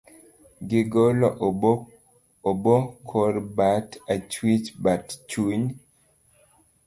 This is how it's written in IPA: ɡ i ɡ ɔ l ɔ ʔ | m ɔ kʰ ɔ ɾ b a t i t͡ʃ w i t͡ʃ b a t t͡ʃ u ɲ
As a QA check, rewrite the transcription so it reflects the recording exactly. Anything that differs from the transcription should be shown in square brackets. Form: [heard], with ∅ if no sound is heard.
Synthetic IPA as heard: ɡ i ɡ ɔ l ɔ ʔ | [b] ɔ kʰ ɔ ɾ b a t [a] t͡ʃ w i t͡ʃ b a t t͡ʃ u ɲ